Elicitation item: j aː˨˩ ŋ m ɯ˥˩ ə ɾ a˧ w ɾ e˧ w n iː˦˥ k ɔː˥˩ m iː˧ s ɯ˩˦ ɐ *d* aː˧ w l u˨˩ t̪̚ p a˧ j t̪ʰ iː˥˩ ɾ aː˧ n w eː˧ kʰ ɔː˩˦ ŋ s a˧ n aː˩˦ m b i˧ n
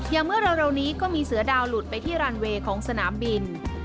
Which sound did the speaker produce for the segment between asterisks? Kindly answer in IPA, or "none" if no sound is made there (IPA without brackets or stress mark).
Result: d